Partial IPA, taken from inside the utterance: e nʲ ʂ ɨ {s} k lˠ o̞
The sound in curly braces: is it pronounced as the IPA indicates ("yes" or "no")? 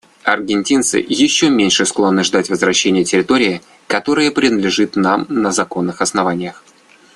yes